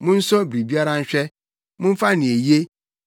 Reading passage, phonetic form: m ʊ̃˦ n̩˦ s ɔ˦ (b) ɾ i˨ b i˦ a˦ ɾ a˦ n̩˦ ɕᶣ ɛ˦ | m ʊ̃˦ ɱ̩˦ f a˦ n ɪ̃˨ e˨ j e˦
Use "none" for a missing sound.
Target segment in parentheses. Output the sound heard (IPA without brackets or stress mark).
b